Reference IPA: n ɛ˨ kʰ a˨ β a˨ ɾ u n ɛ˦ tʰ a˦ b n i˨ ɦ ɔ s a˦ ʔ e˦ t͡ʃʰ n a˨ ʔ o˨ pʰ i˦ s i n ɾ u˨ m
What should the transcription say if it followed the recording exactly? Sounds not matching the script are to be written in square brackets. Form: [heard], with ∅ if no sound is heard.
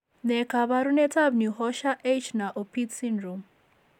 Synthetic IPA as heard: n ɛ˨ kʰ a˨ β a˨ ɾ u n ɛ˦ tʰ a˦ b n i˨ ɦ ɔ [ʃ] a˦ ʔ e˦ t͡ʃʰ n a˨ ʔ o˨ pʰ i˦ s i n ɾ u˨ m